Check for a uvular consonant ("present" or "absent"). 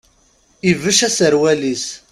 absent